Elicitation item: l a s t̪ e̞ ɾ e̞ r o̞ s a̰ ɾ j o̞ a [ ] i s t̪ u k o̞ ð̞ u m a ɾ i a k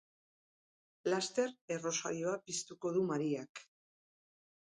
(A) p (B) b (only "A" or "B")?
A